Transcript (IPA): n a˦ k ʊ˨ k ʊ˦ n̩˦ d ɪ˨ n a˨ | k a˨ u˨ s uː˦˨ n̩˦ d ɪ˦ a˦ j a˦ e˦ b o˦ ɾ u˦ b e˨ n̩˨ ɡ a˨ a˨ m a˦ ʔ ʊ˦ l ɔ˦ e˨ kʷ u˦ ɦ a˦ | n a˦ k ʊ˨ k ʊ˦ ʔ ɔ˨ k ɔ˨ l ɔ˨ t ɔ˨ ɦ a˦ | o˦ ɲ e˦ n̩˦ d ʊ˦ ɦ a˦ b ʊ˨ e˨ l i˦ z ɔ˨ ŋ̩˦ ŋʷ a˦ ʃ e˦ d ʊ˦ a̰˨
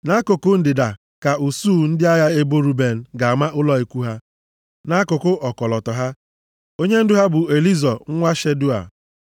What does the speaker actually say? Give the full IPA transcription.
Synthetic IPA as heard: n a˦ k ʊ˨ k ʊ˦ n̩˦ d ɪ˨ d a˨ | k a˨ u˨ s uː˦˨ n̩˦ d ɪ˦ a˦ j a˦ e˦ b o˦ ɾ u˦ b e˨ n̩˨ ɡ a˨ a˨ m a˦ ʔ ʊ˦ l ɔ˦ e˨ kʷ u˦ ɦ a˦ | n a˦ k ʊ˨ k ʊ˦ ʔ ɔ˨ k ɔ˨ l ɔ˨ t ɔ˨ ɦ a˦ | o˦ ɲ e˦ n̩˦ d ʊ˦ ɦ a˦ b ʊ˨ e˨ l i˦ z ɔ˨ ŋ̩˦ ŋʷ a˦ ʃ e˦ d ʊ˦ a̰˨

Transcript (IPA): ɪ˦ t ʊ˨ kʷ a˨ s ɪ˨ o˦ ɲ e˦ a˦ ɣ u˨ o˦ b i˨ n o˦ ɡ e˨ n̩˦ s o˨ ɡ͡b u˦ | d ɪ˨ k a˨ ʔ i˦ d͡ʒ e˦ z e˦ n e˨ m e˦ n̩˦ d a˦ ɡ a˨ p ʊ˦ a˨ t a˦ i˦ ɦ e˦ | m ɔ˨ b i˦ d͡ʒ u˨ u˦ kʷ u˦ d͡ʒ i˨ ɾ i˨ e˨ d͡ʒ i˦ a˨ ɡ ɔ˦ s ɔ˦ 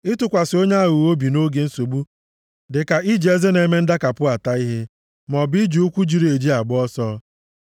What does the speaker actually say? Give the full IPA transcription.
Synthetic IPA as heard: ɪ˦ t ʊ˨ kʷ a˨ s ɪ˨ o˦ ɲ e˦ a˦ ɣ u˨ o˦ b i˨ n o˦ ɡ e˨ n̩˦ s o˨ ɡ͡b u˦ | d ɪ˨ k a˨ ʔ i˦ d͡ʒ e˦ z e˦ n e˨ m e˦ n̩˦ d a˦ k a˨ p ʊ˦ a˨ t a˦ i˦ ɦ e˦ | m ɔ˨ b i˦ d͡ʒ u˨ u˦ kʷ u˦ d͡ʒ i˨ ɾ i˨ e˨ d͡ʒ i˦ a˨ ɡ͡b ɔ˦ s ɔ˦

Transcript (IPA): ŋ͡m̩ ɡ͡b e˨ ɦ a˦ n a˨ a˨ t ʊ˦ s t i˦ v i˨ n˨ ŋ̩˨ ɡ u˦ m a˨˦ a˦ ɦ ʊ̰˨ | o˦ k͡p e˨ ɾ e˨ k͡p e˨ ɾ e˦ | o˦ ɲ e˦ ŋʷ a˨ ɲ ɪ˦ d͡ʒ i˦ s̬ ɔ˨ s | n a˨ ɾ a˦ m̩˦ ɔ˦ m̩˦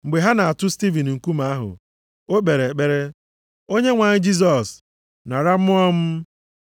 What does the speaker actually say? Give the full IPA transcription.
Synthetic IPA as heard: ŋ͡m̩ ɡ͡b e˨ ɦ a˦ n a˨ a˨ t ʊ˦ s t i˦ v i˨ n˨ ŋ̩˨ k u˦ m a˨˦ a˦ ɦ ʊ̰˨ | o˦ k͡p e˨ ɾ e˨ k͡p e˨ ɾ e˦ | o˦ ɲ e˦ ŋʷ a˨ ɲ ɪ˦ d͡ʒ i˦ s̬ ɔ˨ s | n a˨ ɾ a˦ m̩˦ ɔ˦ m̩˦

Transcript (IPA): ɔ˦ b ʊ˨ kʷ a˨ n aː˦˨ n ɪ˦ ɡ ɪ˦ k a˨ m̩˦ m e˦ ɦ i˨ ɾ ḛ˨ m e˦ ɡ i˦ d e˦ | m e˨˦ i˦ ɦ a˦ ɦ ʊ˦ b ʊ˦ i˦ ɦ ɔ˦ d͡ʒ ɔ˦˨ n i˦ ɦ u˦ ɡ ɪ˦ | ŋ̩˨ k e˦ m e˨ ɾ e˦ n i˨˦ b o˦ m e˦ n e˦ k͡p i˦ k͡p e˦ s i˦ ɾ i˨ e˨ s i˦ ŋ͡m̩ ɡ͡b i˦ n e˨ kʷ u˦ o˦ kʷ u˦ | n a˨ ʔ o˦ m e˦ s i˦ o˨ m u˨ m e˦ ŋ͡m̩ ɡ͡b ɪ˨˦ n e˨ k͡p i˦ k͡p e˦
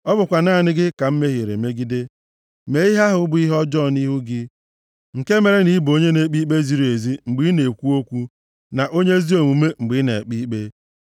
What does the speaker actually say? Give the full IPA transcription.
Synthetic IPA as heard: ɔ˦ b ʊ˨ kʷ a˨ n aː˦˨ n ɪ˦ ɡ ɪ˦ k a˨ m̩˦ m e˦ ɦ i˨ ɾ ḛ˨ m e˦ ɡ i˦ d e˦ | m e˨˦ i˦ ɦ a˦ ɦ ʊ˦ b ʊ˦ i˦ ɦ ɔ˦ d͡ʒ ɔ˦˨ n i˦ ɦ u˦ ɡ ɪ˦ | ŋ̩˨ k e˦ m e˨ ɾ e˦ n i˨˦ b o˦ ɲ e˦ n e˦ k͡p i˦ k͡p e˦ z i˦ ɾ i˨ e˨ z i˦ ŋ͡m̩ ɡ͡b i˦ n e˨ kʷ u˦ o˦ kʷ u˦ | n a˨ ʔ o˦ ɲ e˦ z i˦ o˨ m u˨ m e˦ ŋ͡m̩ ɡ͡b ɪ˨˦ n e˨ k͡p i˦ k͡p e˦

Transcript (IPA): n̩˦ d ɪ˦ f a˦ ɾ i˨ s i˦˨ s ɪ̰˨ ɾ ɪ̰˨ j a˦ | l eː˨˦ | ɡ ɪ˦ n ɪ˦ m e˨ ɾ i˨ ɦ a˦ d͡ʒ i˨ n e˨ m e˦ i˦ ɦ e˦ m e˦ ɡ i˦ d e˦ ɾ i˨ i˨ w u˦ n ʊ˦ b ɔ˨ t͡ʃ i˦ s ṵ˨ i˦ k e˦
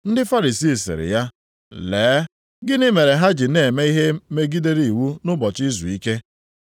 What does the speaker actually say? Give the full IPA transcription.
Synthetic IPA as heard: n̩˦ d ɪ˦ f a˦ ɾ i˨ s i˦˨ s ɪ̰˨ ɾ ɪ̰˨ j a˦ | l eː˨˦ | ɡ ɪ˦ n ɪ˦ m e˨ ɾ e˨ ɦ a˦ d͡ʒ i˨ n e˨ m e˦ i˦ ɦ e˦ m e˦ ɡ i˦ d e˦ ɾ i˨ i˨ w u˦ n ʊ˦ b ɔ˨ t͡ʃ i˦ z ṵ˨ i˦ k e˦

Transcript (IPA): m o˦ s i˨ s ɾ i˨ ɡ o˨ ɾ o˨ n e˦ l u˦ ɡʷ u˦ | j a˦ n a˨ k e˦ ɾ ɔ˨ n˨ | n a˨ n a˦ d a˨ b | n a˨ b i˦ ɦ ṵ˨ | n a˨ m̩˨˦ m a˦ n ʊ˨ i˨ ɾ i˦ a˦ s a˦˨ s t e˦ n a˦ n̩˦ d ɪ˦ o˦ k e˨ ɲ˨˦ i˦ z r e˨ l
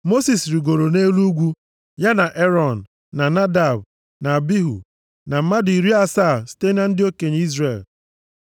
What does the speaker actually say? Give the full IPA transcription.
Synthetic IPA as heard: m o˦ s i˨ s ɾ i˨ ɡ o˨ ɾ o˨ n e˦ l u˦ ɡʷ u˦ | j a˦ n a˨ ʔ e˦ ɾ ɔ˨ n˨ | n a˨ n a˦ d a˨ b | n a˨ b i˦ ɦ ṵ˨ | n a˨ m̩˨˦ m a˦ d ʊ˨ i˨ ɾ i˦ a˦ s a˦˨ s t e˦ n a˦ n̩˦ d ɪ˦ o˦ k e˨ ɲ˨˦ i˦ z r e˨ l

